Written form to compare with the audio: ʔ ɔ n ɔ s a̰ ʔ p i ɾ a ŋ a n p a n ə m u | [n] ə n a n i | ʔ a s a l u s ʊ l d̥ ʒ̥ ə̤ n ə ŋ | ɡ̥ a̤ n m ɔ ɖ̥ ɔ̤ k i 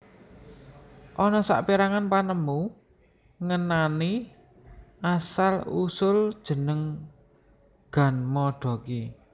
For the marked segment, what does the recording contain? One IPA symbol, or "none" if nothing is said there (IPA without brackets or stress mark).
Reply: ŋ